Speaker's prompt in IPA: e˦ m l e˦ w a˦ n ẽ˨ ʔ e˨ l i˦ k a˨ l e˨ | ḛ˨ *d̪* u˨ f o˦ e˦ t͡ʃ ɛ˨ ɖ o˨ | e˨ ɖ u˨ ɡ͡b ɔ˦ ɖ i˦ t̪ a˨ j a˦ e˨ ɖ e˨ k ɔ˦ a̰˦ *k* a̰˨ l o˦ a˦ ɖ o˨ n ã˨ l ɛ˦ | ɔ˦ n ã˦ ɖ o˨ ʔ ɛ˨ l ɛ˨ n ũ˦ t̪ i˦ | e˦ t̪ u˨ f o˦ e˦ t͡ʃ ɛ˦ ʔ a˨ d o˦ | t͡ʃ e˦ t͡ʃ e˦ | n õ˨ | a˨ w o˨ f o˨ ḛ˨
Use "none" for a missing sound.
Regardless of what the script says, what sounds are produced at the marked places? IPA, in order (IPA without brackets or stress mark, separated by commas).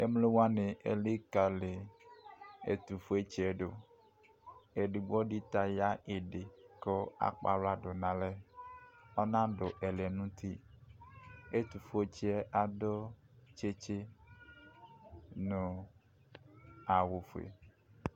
t̪, k͡p